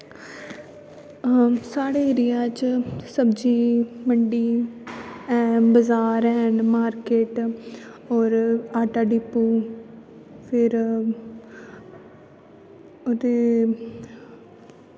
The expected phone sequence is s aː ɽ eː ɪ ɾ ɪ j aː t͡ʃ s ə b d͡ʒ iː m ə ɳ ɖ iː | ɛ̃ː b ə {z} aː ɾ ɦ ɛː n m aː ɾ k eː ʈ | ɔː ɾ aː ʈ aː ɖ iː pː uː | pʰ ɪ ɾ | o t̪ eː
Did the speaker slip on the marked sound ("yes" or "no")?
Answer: no